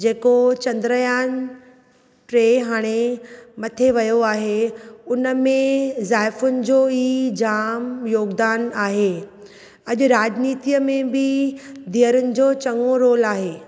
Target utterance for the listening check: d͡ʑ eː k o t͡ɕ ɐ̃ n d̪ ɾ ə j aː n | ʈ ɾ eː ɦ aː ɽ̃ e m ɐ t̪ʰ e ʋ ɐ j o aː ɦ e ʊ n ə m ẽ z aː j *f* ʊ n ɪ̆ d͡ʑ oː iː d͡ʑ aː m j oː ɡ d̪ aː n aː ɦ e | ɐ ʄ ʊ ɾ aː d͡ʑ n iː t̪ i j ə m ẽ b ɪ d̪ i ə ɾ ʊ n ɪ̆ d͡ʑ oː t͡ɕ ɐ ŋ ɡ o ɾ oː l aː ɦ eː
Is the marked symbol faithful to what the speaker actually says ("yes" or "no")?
yes